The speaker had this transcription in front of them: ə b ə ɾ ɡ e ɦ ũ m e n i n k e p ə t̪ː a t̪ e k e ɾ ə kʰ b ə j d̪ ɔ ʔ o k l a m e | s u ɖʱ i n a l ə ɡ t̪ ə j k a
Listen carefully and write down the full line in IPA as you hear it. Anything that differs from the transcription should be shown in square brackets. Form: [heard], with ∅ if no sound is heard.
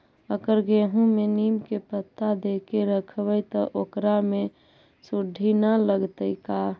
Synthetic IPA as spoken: ə [ɡ] ə ɾ ɡ e ɦ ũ m e n i [m] k e p ə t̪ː a [d̪] e k e ɾ ə kʰ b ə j [t̪] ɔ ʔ o k [ɾ] a m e | s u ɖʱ i n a l ə ɡ t̪ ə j k a